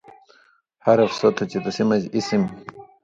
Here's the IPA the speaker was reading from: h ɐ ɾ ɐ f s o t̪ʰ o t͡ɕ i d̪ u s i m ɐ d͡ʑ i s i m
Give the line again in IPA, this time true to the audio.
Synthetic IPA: h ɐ ɾ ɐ f s o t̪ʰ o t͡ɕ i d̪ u s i m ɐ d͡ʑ i s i m